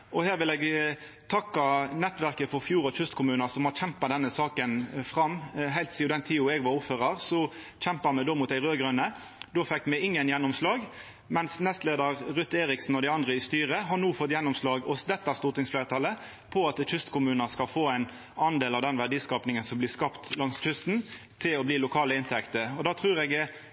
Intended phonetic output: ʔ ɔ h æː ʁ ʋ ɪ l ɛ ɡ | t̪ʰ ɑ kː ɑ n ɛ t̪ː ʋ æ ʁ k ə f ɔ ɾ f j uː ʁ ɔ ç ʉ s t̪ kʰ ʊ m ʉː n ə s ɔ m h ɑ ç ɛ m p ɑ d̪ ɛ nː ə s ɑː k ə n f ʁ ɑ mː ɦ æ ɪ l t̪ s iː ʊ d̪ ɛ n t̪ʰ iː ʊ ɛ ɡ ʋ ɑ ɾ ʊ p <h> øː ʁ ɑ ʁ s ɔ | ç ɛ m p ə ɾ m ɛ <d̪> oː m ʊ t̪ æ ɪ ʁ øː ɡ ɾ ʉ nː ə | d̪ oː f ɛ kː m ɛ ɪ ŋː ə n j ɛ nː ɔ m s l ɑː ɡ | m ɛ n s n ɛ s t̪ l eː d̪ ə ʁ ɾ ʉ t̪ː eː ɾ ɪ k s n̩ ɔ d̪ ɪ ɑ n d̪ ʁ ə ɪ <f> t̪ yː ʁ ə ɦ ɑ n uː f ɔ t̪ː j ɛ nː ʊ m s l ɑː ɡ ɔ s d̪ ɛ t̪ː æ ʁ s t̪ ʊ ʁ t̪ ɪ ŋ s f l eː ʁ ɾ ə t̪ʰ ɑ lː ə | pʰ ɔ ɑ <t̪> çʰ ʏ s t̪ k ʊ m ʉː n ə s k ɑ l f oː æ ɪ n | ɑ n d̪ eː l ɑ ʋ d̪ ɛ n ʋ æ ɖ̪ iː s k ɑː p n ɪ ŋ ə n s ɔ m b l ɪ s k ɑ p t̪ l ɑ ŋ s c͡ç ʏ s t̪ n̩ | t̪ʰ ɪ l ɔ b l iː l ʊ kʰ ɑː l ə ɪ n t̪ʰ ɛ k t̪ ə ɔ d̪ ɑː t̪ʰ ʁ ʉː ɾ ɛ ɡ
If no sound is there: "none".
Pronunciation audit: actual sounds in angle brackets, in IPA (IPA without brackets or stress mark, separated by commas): f, d̪, s, t̪